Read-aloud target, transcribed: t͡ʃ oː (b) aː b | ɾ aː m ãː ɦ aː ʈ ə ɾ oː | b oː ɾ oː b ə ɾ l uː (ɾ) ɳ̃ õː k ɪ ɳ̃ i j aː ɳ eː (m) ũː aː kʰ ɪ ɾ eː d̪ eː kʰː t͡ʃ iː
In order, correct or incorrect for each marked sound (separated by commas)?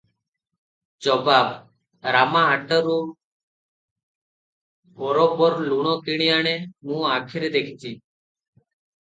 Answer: correct, incorrect, correct